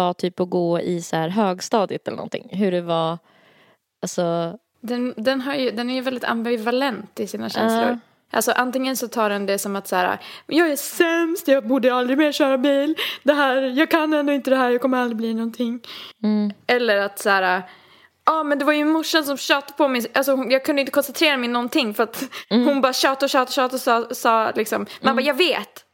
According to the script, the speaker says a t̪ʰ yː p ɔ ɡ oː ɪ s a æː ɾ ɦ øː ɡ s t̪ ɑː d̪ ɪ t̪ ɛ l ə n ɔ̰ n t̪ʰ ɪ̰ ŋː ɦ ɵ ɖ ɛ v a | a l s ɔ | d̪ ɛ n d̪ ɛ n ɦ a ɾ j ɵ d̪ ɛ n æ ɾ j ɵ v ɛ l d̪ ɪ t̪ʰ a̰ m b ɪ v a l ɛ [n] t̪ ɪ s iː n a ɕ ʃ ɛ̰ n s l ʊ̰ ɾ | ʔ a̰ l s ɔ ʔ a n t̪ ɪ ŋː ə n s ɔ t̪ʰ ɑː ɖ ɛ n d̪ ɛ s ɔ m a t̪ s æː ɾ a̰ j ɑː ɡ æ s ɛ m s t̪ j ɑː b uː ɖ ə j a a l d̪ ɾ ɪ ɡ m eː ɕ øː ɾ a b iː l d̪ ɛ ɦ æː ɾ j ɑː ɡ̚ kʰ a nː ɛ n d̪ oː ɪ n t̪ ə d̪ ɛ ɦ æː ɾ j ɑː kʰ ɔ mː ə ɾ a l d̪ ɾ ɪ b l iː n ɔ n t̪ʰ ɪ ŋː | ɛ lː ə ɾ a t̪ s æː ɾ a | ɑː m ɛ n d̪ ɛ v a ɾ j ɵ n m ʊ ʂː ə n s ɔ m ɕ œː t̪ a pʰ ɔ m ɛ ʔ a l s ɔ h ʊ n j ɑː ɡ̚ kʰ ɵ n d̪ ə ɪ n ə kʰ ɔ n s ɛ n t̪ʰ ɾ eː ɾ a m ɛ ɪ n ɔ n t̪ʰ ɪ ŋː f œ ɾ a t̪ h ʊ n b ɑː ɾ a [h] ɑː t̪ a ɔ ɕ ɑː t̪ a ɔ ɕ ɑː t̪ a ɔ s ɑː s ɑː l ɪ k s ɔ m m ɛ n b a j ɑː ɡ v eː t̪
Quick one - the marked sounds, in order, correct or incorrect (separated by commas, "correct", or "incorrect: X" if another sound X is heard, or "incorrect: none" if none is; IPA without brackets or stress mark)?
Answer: correct, incorrect: ɕ